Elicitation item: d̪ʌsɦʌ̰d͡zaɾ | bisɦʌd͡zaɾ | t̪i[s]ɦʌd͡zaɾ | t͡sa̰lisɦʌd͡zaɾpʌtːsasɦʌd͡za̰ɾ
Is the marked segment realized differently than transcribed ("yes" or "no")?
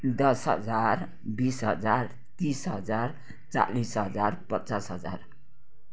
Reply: no